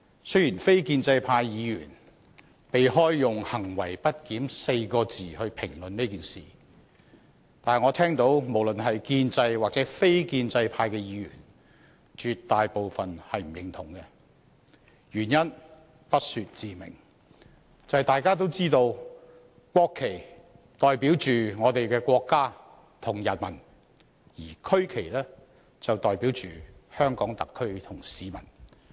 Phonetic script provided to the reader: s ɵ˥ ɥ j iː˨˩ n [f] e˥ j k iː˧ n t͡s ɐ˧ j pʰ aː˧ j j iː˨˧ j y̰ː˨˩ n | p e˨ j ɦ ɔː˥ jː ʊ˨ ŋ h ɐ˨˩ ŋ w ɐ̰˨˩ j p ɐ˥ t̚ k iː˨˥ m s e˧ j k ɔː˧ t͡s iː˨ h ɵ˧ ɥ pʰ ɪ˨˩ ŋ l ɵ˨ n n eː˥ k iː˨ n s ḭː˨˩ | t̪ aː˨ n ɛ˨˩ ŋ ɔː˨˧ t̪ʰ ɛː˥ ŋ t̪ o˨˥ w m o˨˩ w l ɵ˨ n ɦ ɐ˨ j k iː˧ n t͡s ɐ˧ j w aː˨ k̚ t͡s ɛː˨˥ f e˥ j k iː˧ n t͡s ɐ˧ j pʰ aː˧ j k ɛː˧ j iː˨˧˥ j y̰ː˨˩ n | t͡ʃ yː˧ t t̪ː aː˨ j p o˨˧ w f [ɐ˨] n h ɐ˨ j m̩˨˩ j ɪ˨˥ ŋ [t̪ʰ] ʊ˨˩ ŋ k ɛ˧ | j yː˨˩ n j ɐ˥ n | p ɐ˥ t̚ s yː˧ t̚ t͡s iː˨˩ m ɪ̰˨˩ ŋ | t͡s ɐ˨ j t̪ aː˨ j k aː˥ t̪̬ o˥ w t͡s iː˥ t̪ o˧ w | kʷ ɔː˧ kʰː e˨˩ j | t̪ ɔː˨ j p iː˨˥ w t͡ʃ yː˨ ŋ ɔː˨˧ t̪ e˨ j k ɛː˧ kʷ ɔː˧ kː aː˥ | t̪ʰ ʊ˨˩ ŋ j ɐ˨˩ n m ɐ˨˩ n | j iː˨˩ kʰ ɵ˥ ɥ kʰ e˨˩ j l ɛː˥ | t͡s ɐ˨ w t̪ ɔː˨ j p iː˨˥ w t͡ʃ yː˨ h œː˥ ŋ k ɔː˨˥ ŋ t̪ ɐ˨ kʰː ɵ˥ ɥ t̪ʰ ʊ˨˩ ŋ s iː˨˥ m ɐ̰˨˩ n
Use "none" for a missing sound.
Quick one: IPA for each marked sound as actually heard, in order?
f, ɐ˨, t̪ʰ

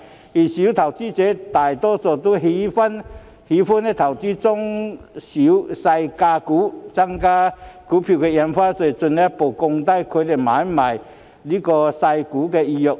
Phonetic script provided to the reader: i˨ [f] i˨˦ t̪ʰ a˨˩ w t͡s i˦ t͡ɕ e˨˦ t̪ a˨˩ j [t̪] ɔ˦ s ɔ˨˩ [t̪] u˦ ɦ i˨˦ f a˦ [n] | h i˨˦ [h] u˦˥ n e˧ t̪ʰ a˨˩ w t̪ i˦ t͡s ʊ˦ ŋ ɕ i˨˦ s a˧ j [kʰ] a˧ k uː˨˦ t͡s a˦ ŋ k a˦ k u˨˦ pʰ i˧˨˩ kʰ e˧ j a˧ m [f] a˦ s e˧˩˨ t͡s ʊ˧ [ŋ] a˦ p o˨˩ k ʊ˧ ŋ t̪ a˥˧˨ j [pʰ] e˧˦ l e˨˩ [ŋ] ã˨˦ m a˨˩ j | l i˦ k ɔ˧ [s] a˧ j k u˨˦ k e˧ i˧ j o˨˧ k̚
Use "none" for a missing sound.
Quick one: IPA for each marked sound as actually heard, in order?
ɕ, t̪, t̪, n, f, k, f, n, kʰ, m, s

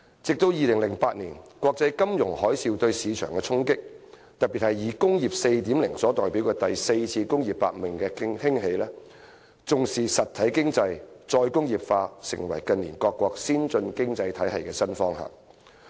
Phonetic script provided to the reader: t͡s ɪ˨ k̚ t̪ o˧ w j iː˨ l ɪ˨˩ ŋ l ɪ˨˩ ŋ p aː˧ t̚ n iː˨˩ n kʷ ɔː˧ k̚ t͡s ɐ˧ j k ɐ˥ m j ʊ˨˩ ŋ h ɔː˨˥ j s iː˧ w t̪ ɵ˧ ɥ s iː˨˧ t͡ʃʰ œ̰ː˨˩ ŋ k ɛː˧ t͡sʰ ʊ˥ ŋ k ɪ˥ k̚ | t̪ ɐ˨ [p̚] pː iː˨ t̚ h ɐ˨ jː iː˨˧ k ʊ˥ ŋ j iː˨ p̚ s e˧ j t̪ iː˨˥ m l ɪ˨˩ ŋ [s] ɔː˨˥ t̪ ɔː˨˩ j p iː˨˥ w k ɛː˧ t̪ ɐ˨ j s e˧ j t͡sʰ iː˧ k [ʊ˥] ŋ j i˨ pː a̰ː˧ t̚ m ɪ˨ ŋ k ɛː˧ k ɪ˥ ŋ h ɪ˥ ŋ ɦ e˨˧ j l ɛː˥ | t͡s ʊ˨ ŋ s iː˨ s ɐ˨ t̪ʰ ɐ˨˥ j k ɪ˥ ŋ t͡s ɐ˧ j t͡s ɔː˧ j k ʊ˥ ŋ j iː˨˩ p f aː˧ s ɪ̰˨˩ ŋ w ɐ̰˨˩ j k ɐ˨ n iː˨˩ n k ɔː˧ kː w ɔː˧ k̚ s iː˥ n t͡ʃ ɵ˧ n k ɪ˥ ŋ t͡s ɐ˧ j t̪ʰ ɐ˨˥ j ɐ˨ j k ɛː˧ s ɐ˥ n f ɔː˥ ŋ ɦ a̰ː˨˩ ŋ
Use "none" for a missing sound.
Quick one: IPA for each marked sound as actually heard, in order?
t̚, s, ʊ˥

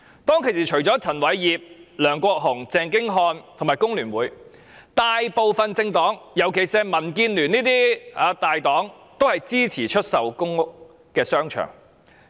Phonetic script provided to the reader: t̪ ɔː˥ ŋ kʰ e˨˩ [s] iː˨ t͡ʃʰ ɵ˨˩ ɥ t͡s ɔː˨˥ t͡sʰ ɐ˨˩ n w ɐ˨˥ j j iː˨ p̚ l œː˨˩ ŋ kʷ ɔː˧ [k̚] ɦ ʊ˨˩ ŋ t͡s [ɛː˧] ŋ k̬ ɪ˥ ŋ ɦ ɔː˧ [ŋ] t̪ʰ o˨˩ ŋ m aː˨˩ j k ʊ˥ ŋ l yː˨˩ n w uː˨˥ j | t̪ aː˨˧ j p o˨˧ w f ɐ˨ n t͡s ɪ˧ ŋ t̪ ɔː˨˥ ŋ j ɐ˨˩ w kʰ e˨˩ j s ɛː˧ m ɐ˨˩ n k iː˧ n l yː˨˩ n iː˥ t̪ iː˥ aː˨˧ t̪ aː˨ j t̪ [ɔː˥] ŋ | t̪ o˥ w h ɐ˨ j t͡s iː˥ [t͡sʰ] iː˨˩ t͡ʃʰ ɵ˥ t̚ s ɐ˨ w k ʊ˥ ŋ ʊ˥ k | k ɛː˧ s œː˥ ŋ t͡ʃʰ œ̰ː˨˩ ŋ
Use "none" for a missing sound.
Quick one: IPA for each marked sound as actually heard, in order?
s, k̚, ɛː˧, n, ɔː˨˥, t͡sʰ

